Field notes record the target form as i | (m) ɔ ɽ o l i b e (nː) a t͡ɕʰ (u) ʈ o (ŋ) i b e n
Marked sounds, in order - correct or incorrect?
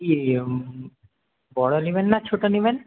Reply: incorrect, correct, incorrect, incorrect

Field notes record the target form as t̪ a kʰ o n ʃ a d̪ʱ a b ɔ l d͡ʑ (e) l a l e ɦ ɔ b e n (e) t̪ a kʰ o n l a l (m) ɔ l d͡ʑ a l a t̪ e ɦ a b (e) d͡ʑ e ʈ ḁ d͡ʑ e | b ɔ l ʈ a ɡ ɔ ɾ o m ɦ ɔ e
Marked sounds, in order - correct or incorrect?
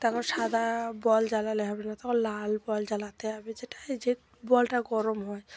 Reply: incorrect, incorrect, incorrect, correct

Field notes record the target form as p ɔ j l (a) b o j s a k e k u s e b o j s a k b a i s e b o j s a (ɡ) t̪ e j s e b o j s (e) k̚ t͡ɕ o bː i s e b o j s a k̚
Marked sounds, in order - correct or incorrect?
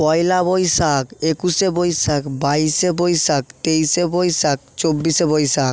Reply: correct, incorrect, incorrect

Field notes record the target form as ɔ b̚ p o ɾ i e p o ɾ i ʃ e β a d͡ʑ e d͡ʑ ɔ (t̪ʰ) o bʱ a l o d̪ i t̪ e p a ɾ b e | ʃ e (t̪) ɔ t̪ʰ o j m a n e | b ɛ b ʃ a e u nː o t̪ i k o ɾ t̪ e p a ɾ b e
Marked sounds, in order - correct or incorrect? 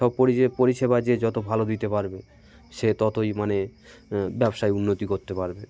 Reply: incorrect, correct

